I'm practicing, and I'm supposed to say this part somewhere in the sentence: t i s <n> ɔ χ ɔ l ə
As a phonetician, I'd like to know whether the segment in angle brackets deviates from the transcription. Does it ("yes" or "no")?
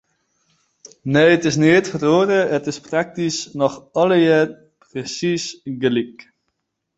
no